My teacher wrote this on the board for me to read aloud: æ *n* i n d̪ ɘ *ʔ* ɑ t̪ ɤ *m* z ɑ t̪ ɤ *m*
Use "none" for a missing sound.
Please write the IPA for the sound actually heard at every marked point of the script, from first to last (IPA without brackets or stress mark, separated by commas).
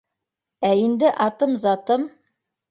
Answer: none, ʔ, m, m